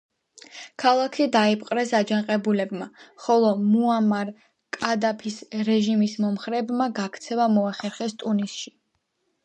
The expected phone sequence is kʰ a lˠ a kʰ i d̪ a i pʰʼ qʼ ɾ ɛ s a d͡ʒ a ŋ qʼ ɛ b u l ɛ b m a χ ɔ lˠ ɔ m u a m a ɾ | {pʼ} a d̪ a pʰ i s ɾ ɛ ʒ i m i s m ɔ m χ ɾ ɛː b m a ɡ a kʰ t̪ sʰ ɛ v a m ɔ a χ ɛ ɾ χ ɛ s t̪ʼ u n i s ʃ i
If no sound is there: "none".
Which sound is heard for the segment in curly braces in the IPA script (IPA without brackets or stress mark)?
kʼ